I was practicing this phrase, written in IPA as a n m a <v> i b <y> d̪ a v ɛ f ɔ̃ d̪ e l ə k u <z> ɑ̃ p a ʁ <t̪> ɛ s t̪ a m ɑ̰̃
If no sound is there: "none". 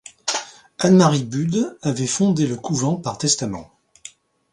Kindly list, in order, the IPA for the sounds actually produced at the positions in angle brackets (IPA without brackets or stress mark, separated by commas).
ʁ, y, v, t̪